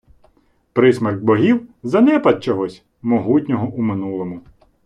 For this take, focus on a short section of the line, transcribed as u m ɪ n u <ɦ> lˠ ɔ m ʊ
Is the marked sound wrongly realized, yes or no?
yes